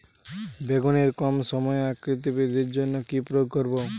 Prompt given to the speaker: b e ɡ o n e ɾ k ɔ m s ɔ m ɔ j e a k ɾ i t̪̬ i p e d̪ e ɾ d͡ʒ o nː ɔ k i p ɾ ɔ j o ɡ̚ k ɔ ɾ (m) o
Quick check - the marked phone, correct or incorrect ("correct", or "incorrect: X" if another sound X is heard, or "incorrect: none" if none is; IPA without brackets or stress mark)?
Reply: incorrect: b